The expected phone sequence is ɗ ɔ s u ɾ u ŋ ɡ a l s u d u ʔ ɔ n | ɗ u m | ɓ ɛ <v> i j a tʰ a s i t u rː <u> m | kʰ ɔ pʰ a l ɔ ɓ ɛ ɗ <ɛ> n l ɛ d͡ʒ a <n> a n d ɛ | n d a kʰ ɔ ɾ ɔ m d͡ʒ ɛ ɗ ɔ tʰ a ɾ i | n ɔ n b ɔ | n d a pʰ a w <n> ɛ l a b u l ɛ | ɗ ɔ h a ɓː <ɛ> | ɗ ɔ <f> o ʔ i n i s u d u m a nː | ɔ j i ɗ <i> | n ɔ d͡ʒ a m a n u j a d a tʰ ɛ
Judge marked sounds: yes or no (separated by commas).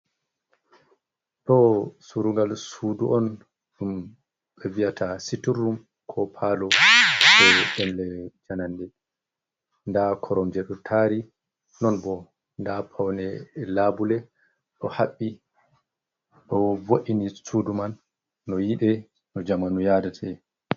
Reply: yes, yes, yes, yes, yes, no, no, no